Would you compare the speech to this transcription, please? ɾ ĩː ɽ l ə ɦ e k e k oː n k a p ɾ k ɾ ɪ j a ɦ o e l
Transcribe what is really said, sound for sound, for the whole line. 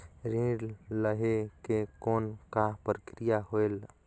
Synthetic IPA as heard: ɾ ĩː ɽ l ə ɦ e k e k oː n k a p ɾ k ɾ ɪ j a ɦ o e l